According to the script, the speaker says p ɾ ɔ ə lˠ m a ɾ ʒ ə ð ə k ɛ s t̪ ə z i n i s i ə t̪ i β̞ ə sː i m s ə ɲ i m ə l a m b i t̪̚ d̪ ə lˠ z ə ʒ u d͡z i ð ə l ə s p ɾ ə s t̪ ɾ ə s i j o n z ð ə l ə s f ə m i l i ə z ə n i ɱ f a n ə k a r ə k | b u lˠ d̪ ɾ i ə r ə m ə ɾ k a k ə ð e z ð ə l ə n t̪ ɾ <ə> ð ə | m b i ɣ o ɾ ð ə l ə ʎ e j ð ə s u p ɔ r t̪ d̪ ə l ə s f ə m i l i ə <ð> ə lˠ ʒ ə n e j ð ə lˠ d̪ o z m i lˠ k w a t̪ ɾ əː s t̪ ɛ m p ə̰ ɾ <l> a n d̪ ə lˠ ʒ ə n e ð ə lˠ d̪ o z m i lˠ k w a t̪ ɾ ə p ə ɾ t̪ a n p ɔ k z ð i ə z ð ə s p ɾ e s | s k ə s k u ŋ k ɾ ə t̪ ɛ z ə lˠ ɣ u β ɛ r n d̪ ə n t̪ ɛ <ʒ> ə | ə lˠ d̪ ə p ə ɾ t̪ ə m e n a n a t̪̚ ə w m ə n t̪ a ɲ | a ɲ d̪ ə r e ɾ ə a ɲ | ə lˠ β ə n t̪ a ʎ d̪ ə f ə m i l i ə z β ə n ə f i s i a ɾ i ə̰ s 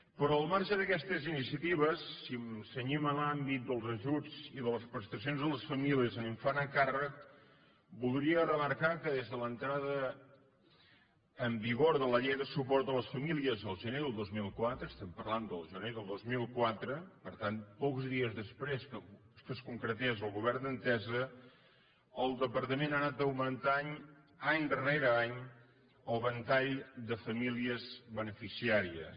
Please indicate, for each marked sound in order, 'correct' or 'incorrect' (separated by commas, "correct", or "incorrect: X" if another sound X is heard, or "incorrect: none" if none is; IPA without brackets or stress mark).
incorrect: a, incorrect: z, correct, incorrect: z